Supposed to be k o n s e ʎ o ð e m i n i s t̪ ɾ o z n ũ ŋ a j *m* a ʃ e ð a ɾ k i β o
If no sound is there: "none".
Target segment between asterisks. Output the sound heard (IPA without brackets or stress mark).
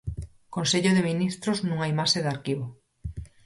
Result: m